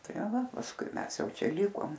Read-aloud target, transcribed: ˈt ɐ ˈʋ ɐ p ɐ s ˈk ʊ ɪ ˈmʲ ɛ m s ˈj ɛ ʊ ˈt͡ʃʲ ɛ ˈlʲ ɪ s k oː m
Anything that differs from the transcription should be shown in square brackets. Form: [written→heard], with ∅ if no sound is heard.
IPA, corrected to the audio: ˈt ɐ ˈʋ ɐ p ɐ s ˈk ʊ ɪ ˈmʲ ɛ [m→∅] s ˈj ɛ ʊ ˈt͡ʃʲ ɛ ˈlʲ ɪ [s→∅] k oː m